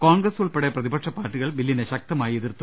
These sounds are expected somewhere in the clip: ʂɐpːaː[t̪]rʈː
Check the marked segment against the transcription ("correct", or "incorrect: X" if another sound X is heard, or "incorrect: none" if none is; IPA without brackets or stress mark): incorrect: none